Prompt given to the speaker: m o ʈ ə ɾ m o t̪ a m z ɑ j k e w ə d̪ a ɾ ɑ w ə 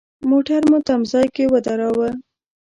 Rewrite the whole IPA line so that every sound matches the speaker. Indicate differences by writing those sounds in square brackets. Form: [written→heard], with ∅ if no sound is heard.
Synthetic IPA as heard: m o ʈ [ə→a] ɾ m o t̪ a m z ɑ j k e w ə d̪ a ɾ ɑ w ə